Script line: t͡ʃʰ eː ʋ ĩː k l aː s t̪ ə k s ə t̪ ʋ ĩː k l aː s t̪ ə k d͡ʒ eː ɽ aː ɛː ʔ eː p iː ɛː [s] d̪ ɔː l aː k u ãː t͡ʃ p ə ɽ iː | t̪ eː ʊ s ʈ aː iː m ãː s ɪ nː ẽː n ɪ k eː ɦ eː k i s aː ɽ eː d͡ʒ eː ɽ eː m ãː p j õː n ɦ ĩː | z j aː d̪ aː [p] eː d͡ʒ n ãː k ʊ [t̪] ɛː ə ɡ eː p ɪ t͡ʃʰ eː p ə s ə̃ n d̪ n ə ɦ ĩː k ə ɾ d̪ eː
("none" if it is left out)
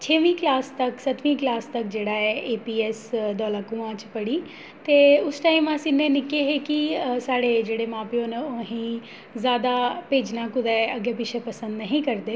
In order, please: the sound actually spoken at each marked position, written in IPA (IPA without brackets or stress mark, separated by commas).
s, p, d̪